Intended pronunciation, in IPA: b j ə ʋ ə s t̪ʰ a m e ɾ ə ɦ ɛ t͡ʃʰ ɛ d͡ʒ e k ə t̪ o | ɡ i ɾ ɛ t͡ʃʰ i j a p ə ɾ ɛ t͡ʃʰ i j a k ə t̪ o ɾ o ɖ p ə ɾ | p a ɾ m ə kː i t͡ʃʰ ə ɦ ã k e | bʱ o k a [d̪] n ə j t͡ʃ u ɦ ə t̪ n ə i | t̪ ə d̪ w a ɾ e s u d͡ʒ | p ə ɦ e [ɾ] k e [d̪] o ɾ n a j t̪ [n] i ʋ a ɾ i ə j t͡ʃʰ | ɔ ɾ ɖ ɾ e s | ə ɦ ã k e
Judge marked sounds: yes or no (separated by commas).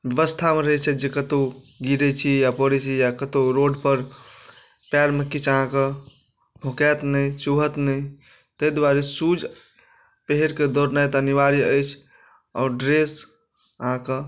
no, yes, yes, yes